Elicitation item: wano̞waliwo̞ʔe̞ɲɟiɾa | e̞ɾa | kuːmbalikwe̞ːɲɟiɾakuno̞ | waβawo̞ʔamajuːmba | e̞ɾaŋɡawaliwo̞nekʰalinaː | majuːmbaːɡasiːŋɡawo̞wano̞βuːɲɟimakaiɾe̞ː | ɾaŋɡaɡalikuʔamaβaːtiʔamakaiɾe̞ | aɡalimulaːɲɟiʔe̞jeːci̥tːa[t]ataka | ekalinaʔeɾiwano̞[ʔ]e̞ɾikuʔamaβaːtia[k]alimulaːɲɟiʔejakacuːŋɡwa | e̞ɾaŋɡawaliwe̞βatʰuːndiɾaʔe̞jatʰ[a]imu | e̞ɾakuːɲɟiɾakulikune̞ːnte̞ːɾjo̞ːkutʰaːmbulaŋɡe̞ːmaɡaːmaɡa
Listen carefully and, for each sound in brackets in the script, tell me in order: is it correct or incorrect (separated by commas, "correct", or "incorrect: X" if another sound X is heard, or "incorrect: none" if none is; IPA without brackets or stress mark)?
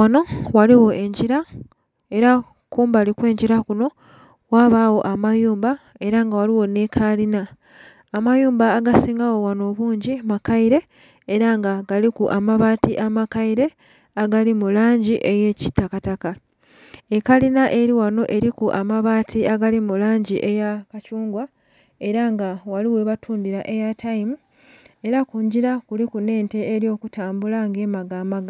incorrect: k, correct, incorrect: ɡ, correct